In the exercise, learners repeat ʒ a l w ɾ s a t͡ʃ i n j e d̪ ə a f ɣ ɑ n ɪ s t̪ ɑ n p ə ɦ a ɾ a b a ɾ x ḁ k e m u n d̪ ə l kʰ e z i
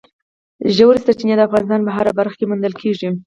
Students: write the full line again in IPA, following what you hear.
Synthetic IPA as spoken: ʒ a w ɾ s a t͡ʃ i n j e d̪ ə a f ɣ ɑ n ɪ s t̪ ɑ n p ə ɦ a ɾ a b a ɾ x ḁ k e m u n d̪ ə l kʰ e ʐ i